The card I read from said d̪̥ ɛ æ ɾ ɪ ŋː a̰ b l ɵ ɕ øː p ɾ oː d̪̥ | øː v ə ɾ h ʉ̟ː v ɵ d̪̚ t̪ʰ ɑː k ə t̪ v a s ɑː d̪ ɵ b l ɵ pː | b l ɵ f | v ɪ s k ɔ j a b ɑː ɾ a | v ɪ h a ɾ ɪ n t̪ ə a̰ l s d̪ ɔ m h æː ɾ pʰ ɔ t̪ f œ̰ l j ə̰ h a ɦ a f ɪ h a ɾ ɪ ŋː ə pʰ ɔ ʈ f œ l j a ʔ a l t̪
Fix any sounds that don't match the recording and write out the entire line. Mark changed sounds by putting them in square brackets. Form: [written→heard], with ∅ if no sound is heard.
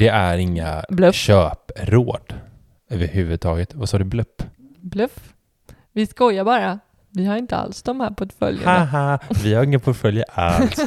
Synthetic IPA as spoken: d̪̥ ɛ æ ɾ ɪ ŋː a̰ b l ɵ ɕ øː p ɾ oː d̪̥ | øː v ə ɾ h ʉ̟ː v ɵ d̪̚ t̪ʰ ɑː [k→ɡ] ə t̪ v a s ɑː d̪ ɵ b l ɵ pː | b l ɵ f | v ɪ s k ɔ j a b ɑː ɾ a | v ɪ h a ɾ ɪ n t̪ ə a̰ l s d̪ ɔ m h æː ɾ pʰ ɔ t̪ f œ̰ l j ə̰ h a ɦ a [f→v] ɪ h a ɾ ɪ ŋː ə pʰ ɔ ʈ f œ l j a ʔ a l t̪